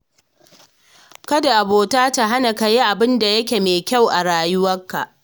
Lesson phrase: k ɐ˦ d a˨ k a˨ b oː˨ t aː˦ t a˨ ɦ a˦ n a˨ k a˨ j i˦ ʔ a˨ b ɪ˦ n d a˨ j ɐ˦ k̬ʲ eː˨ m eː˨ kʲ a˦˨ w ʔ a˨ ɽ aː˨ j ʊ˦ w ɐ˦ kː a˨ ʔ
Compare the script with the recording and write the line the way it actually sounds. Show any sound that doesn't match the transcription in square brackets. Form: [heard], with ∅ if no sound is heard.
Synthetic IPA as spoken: k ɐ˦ d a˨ [ʔ] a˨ b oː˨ t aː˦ t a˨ ɦ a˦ n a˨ k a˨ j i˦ ʔ a˨ b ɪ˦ n d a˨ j ɐ˦ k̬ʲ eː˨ m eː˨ kʲ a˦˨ w ʔ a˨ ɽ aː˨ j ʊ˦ w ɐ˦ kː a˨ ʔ